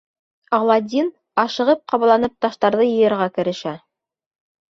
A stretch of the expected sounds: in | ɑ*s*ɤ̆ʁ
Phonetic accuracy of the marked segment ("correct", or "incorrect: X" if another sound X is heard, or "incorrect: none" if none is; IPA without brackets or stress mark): incorrect: ʃ